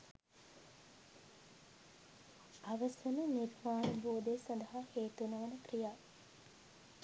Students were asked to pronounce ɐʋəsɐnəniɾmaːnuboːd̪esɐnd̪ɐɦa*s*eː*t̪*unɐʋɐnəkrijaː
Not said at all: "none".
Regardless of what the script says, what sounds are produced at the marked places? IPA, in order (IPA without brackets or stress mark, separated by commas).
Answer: h, t̪